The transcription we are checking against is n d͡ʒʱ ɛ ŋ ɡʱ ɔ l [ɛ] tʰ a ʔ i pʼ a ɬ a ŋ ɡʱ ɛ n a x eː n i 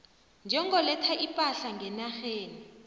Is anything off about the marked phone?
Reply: no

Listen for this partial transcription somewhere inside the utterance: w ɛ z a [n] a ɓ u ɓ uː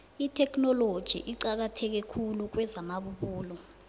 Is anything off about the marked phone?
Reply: yes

